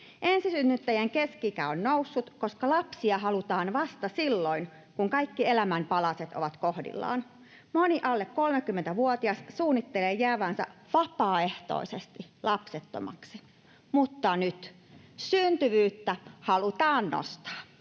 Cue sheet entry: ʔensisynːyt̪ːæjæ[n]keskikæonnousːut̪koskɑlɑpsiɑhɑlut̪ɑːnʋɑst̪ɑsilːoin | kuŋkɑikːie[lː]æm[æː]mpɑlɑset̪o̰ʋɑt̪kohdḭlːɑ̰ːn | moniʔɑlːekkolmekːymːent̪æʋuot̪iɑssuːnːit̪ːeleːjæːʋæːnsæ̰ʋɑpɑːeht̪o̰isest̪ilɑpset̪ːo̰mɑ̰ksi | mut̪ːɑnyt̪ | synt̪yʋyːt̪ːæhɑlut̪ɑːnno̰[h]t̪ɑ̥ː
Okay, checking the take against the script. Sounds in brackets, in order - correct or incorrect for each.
incorrect, incorrect, incorrect, incorrect

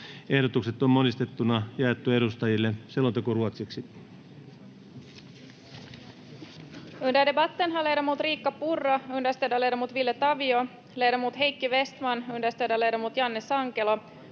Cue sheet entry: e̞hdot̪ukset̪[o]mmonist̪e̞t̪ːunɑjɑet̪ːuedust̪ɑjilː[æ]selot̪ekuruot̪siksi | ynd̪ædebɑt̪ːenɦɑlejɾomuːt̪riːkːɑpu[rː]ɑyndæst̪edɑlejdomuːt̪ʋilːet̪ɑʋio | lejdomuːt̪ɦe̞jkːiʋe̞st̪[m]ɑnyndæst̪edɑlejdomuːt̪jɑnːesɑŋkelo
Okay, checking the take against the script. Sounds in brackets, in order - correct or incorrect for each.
correct, incorrect, correct, correct

